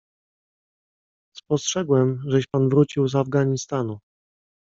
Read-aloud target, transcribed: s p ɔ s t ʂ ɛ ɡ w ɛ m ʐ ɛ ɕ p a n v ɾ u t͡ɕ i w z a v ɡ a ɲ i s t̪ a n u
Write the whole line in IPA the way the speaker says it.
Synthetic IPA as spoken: s p ɔ s t ʂ ɛ ɡ w ɛ m ʐ ɛ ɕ p a n v ɾ u t͡ɕ i w z a v ɡ a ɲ i s t̪ a n u